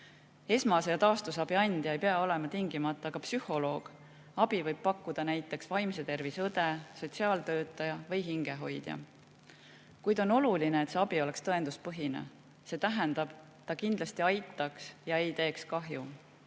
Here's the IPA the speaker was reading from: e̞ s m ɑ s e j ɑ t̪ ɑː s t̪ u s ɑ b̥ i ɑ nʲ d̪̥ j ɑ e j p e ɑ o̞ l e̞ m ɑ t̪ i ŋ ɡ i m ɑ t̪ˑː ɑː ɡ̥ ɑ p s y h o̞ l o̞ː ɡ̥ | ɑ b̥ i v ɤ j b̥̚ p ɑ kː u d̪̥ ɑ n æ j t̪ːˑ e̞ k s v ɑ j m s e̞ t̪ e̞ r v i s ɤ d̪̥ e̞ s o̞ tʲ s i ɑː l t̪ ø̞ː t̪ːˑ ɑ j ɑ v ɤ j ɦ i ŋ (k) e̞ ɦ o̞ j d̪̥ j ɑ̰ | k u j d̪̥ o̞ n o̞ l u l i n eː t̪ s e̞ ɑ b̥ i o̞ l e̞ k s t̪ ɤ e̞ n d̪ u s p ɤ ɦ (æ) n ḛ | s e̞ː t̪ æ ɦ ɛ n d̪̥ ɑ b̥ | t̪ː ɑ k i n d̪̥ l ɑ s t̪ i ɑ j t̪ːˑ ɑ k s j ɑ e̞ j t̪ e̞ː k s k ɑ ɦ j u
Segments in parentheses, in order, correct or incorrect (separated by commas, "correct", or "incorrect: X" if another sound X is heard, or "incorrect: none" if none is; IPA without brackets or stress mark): incorrect: ɡ, incorrect: i